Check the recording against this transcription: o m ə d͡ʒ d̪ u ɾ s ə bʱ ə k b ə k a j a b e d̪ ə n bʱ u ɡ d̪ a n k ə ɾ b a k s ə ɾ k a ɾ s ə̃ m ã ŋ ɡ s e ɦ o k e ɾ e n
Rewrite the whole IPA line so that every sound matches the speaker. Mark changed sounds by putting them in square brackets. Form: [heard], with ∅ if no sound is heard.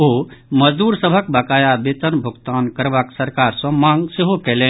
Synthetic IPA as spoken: o m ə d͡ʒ d̪ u ɾ s ə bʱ ə k b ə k a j a b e [t̪] ə n bʱ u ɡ [t̪] a n k ə ɾ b a k s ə ɾ k a ɾ s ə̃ m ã ŋ ɡ s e ɦ o k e [l] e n